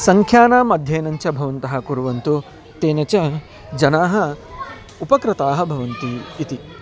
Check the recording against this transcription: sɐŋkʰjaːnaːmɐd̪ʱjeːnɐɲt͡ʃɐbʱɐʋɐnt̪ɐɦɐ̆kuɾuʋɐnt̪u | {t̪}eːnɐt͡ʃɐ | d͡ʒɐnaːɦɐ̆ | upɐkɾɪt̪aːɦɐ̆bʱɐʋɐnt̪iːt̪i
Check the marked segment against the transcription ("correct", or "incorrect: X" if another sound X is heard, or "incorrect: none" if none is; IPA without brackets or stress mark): correct